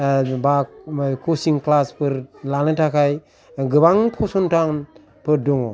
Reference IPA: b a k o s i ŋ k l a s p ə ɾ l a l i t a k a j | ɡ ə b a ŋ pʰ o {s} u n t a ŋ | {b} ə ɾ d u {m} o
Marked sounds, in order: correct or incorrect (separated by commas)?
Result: correct, incorrect, incorrect